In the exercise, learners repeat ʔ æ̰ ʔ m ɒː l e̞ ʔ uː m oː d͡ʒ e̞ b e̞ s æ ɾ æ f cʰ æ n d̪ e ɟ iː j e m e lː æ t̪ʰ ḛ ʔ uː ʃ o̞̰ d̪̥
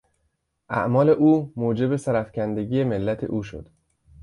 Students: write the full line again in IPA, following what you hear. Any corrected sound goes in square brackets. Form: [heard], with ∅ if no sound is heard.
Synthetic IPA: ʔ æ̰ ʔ m ɒː l e̞ ʔ uː m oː d͡ʒ e̞ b e̞ s æ ɾ æ f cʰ æ n d̪ e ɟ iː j e m e lː æ t̪ʰ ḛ ʔ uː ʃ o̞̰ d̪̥